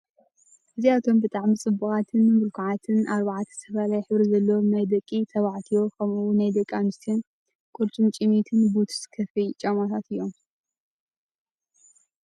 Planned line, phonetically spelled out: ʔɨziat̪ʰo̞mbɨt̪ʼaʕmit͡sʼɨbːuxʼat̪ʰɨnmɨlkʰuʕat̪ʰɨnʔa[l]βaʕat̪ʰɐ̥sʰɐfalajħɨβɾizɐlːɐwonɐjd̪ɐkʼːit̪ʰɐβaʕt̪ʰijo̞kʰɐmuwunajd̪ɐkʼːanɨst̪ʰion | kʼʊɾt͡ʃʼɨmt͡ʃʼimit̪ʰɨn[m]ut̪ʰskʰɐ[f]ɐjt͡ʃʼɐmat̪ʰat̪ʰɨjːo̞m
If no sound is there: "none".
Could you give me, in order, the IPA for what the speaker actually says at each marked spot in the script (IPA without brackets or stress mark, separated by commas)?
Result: ɾ, b, f